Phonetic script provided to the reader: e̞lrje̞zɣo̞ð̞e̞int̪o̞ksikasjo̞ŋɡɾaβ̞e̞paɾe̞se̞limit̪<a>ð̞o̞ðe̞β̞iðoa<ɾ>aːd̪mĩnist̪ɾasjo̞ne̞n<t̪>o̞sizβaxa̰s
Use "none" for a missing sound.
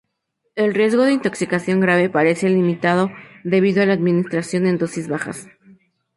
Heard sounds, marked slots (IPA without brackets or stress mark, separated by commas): a, l, d̪